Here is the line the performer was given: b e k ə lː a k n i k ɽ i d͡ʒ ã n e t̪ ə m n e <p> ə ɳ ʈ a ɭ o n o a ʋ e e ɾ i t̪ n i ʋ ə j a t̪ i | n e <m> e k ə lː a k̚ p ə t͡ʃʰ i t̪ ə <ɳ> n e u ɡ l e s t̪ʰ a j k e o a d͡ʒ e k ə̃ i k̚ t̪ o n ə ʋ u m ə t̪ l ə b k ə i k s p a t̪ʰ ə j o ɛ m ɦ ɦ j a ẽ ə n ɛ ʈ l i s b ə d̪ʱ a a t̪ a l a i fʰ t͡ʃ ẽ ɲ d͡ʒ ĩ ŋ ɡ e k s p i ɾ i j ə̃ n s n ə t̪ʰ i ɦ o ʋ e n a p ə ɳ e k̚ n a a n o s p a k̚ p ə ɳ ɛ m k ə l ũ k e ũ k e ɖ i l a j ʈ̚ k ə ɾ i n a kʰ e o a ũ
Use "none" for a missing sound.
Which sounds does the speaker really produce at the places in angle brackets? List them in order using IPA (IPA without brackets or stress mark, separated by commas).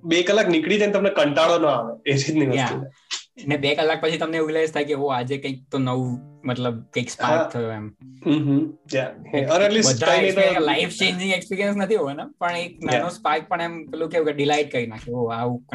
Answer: k, b, m